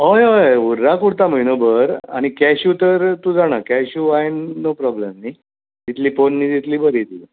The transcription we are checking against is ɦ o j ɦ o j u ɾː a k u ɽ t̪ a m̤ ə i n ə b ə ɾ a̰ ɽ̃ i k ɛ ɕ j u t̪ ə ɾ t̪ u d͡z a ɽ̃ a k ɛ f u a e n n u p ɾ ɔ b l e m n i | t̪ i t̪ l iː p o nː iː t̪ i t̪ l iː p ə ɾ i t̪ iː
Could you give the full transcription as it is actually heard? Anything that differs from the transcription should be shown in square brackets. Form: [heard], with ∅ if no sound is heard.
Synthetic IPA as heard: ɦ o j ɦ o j u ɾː a k u ɽ t̪ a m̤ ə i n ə b ə ɾ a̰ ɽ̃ i k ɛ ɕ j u t̪ ə ɾ t̪ u d͡z a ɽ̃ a k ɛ [ɕ] u a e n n [o] p ɾ ɔ b l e m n i | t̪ i t̪ l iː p o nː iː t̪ i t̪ l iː [b] ə ɾ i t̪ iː